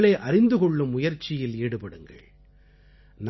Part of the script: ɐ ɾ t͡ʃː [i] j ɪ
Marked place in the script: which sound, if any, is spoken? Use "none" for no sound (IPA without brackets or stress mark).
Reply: ɪ